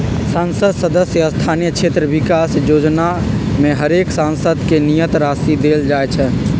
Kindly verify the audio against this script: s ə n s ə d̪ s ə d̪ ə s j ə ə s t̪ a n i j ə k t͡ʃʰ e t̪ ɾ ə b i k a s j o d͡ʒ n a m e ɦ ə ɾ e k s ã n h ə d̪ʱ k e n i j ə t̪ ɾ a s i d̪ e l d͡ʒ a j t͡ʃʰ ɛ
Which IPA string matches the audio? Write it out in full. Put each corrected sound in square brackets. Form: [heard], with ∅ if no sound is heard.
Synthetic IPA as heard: s [a] n s ə d̪ s ə d̪ ə s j ə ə s [t̪ʰ] a n i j ə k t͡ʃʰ e t̪ ɾ ə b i k a s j o d͡ʒ n a m e ɦ ə ɾ e k s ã n [s] ə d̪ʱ k e n i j ə t̪ ɾ a s i d̪ e l d͡ʒ a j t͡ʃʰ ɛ